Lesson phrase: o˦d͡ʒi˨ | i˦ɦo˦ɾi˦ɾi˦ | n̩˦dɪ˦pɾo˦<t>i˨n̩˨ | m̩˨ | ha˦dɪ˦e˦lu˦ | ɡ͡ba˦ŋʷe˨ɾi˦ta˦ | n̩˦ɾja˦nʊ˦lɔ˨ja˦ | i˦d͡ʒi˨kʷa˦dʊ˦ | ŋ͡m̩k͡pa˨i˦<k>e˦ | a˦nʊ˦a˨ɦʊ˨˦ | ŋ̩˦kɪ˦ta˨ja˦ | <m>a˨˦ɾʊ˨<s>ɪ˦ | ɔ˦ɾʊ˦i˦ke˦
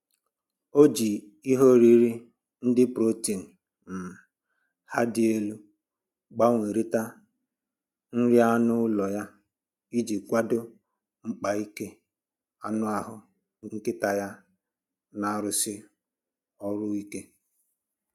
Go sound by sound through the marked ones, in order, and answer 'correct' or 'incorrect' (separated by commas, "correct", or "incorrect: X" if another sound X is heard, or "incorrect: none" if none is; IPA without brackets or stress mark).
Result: correct, correct, incorrect: n, correct